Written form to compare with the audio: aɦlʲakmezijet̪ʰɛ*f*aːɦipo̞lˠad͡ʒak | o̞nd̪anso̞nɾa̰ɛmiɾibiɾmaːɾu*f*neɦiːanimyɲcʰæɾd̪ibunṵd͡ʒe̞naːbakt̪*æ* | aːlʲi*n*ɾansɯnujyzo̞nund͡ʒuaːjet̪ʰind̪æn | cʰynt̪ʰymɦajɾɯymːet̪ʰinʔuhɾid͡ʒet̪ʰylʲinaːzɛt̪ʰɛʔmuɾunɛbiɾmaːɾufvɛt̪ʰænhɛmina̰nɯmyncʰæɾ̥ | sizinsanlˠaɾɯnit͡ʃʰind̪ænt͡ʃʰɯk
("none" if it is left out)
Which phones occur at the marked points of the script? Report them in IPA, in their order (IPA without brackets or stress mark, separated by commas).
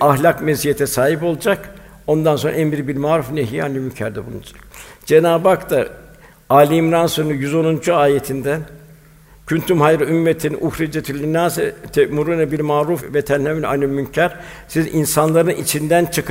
s, f, a, m